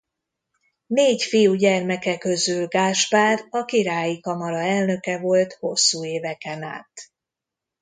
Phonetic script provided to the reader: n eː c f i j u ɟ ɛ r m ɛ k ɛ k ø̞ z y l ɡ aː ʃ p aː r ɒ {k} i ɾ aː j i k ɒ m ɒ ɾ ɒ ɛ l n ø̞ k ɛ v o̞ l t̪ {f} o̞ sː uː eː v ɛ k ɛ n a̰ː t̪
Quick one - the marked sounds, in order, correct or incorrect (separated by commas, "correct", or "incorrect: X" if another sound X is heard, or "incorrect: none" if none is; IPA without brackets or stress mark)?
correct, incorrect: h